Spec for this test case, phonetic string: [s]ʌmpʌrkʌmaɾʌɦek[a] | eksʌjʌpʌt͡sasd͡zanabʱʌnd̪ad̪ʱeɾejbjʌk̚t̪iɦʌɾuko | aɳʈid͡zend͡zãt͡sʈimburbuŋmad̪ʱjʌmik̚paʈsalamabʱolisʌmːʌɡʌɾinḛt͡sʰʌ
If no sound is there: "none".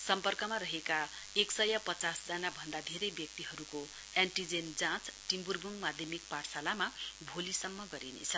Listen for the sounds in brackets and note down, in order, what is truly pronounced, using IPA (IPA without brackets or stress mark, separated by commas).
s, a